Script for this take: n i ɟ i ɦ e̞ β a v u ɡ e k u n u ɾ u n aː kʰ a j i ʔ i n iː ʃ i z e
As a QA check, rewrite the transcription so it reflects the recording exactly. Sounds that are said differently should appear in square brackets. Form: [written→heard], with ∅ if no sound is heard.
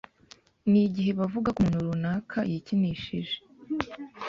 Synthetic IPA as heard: n i ɟ i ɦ e̞ β a v u ɡ [e→a] k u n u ɾ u n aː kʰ a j i [ʔ→c] i n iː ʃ i [z→ʒ] e